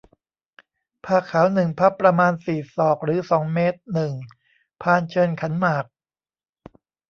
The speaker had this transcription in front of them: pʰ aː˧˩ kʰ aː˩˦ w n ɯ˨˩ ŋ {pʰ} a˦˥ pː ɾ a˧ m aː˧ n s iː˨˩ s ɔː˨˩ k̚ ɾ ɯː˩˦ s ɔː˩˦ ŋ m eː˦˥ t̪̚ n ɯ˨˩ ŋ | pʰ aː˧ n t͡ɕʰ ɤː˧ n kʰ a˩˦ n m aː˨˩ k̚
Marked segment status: correct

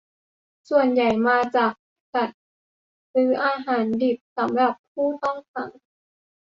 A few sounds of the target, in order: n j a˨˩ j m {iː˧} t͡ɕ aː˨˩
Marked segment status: incorrect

